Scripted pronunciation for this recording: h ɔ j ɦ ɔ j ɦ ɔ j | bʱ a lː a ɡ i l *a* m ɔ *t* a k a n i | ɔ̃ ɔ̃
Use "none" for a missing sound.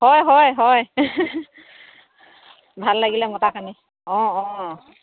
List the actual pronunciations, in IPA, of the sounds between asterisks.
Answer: ɛ, t

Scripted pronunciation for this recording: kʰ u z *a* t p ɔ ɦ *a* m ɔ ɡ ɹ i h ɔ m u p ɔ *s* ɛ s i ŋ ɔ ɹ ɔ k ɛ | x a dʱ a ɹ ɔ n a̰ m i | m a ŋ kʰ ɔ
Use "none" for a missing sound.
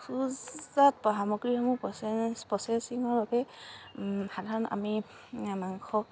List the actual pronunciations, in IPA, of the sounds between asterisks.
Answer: a, a, s

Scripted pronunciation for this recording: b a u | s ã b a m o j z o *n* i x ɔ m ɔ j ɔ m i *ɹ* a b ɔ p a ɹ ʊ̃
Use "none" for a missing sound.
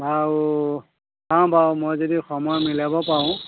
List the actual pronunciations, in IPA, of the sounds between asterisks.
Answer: d, l

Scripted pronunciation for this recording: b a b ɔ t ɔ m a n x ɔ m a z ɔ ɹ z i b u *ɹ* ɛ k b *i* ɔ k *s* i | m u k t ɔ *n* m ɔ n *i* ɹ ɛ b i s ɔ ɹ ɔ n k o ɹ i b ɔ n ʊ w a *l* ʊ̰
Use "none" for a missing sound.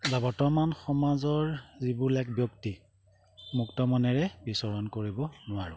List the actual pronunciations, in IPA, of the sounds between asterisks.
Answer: l, j, t, none, ɛ, ɹ

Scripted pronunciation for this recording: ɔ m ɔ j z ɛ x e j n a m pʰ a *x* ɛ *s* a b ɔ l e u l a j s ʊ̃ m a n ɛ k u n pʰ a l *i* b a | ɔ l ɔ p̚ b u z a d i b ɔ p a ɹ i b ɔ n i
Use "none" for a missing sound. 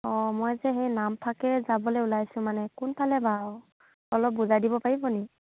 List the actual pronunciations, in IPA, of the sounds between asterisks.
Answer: k, z, ɛ

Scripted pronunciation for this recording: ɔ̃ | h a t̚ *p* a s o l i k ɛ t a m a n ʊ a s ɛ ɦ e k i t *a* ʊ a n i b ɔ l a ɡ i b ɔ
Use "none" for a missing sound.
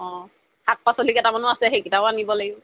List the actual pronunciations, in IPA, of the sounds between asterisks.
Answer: p, a

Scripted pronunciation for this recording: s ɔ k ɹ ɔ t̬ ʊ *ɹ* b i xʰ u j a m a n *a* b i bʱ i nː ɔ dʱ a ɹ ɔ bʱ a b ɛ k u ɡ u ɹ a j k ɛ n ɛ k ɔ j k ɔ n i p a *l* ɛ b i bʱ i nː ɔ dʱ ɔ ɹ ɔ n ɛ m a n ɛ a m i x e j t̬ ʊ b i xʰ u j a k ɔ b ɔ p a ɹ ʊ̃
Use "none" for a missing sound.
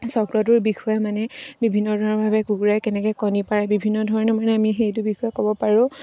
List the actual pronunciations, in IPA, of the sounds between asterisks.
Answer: ɹ, ɛ, ɹ

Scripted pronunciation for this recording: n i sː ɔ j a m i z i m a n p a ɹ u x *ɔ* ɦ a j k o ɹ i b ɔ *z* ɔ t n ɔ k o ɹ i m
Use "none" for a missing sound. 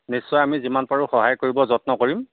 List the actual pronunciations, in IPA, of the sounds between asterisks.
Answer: ɔ, z

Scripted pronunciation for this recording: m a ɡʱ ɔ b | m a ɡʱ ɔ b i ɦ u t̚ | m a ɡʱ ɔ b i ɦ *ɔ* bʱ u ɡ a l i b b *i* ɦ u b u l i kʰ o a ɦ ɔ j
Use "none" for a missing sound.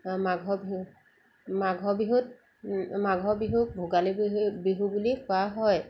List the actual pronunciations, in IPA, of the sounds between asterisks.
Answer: u, i

